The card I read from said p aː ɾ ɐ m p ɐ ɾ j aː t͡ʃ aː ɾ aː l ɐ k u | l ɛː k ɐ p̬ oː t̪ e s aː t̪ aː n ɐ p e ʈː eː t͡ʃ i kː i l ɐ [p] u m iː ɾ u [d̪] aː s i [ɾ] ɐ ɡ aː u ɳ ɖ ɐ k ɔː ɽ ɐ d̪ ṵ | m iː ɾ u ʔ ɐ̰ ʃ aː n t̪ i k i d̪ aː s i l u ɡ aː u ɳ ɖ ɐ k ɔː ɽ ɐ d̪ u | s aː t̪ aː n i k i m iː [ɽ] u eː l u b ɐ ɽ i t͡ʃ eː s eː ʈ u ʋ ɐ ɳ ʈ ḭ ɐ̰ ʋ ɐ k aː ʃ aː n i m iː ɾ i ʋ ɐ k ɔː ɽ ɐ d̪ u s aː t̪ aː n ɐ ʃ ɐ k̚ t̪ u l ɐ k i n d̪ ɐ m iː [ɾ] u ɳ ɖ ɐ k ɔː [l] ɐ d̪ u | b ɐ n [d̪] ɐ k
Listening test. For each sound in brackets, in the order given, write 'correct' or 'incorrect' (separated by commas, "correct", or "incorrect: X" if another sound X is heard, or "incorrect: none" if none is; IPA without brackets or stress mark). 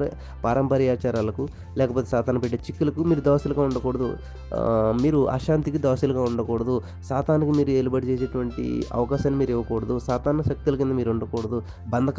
incorrect: k, correct, incorrect: l, incorrect: ɾ, correct, incorrect: ɽ, correct